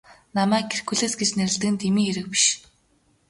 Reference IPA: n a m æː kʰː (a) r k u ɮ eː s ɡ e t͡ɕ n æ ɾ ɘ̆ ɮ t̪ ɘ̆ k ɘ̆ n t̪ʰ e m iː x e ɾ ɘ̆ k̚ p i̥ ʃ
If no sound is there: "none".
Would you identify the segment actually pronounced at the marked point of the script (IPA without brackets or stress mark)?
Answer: e